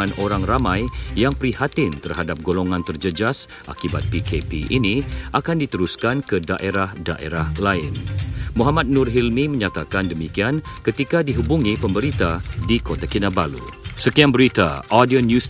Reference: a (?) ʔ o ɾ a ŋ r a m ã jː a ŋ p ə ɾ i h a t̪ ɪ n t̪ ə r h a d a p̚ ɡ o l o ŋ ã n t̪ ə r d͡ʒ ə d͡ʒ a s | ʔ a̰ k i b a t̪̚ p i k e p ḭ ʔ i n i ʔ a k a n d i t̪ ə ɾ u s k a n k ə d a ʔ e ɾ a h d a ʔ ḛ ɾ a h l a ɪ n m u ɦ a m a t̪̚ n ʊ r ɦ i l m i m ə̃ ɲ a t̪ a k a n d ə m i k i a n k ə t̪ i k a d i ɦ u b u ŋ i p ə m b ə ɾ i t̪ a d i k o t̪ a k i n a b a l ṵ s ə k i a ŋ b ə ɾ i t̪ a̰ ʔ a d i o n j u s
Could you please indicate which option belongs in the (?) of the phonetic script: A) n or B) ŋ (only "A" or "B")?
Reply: A